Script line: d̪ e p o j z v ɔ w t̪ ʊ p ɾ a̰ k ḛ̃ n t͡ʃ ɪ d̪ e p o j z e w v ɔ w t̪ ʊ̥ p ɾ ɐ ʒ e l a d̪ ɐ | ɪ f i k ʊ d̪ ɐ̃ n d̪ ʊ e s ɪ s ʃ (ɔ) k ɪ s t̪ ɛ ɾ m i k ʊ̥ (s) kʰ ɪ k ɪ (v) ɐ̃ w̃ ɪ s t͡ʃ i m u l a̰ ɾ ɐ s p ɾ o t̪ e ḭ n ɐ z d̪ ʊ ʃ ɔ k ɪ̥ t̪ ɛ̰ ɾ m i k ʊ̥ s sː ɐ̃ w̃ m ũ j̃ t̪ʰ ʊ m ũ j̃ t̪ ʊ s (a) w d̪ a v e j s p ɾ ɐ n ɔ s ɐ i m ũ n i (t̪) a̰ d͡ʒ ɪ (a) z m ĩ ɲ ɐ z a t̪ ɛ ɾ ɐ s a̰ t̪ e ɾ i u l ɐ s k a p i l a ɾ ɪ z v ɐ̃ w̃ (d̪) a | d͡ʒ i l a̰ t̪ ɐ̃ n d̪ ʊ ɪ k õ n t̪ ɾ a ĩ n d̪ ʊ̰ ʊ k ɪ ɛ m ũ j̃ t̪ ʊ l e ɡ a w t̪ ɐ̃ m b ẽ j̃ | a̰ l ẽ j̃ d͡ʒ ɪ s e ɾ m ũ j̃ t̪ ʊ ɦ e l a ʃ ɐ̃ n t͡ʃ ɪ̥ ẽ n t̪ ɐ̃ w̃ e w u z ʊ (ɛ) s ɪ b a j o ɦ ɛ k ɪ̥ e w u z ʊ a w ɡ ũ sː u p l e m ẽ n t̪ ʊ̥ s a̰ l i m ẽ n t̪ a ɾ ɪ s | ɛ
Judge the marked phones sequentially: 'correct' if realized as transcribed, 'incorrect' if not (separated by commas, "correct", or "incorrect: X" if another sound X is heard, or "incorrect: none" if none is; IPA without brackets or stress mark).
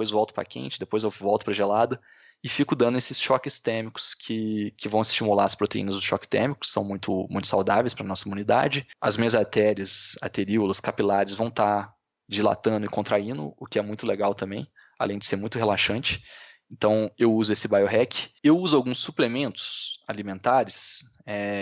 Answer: correct, correct, correct, correct, incorrect: d̪, incorrect: ɐ, incorrect: t̪, incorrect: e